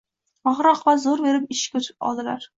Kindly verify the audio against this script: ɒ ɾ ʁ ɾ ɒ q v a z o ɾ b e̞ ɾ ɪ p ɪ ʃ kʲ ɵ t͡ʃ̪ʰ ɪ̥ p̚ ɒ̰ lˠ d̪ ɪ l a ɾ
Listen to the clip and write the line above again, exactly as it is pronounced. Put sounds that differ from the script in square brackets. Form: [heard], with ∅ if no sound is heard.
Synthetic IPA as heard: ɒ [∅] ʁ ɾ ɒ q v a z o ɾ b e̞ ɾ ɪ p ɪ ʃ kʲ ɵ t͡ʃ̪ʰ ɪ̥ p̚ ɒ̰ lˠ d̪ ɪ l a ɾ

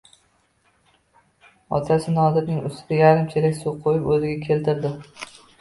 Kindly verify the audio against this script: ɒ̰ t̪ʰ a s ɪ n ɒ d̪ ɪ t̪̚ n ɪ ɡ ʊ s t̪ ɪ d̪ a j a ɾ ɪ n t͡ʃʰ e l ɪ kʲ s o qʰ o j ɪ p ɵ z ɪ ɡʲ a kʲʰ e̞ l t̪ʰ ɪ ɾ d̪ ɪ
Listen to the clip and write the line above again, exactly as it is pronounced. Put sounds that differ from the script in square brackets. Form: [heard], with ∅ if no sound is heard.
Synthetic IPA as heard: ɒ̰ t̪ʰ a s ɪ n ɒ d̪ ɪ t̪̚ n ɪ [ŋ] ʊ s t̪ ɪ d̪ a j a ɾ ɪ [m] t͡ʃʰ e l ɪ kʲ s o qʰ o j ɪ p ɵ z ɪ ɡʲ a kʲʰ e̞ l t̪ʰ ɪ ɾ d̪ ɪ

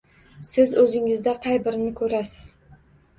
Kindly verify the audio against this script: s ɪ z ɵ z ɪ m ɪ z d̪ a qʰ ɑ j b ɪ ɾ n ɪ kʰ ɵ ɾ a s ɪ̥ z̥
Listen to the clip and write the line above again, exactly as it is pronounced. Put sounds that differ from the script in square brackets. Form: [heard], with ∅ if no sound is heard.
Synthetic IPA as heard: s ɪ z ɵ z ɪ [ŋ] ɪ z d̪ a qʰ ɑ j b ɪ ɾ n ɪ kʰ ɵ ɾ a s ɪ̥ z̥

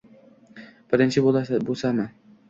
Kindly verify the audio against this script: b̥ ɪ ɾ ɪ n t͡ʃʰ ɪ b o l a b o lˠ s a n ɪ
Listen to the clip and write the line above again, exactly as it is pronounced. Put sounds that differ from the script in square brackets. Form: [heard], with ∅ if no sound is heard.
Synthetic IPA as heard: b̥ ɪ ɾ ɪ n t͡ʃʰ ɪ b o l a b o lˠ s a [m] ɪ

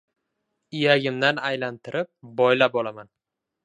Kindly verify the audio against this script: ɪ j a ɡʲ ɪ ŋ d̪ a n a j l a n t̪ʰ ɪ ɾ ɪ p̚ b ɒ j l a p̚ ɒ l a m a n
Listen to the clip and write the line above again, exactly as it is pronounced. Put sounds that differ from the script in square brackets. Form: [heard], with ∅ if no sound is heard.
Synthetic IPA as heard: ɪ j a ɡʲ ɪ [m] d̪ a n a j l a n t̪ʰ ɪ ɾ ɪ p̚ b ɒ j l a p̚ ɒ l a m a n

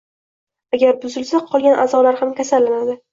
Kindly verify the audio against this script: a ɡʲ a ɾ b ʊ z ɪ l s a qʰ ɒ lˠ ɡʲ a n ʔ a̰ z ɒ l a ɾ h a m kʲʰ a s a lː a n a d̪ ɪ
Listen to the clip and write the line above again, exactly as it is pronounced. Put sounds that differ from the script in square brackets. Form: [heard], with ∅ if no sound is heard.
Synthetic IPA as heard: a ɡʲ a ɾ b ʊ z ɪ l s a qʰ ɒ lˠ ɡʲ a n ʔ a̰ z ɒ l a ɾ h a m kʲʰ a s a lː a n a d̪ ɪ

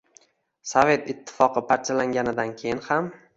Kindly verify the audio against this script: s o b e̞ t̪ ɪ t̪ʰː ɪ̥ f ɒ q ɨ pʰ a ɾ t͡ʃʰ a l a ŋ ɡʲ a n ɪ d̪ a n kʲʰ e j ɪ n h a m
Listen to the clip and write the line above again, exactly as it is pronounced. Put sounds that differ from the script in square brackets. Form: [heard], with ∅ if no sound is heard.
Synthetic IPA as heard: s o [v] e̞ t̪ ɪ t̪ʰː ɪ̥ f ɒ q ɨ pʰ a ɾ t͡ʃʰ a l a ŋ ɡʲ a n ɪ d̪ a n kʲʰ e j ɪ n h a m

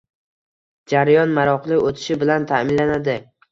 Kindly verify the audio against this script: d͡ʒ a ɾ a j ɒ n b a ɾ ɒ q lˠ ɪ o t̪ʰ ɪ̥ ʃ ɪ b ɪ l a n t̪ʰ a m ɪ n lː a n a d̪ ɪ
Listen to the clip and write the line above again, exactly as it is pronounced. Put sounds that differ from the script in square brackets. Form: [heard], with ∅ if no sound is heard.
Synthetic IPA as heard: d͡ʒ a ɾ a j ɒ n [m] a ɾ ɒ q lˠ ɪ o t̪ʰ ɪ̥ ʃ ɪ b ɪ l a n t̪ʰ a m ɪ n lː a n a d̪ ɪ

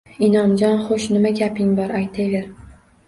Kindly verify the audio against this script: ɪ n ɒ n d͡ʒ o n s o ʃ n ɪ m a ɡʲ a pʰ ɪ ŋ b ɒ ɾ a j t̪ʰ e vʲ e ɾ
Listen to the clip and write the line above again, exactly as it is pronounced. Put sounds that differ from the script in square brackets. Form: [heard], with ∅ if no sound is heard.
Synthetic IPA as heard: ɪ n ɒ n d͡ʒ [ɒ] n [χ] o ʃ n ɪ m a ɡʲ a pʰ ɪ ŋ b ɒ ɾ a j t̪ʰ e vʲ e ɾ

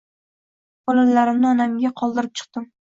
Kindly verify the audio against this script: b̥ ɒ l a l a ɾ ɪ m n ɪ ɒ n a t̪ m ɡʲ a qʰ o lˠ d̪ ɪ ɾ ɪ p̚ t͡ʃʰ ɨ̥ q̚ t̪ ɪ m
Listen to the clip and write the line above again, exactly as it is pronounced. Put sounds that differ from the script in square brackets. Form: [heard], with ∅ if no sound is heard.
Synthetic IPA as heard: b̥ ɒ l a l a ɾ ɪ m n ɪ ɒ n a [∅] m ɡʲ a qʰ [ɒ] lˠ d̪ ɪ ɾ ɪ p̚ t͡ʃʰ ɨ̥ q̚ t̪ ɪ m

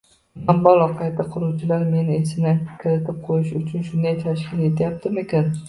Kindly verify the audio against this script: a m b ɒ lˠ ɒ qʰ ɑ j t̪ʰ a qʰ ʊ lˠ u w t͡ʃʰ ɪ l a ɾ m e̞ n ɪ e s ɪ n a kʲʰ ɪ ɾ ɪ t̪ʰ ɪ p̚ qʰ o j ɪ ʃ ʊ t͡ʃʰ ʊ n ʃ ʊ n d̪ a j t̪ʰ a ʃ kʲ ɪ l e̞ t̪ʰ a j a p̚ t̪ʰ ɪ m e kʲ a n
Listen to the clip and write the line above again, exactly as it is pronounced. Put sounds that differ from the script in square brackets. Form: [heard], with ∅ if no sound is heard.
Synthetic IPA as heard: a m b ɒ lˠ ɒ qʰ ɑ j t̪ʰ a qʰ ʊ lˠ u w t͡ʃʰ ɪ l a ɾ m e̞ n ɪ e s ɪ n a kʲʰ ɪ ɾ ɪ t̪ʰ ɪ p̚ qʰ o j ɪ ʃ ʊ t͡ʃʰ ʊ n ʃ ʊ n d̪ a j t̪ʰ a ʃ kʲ ɪ l e̞ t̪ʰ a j a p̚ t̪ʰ ɪ m e kʲ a n

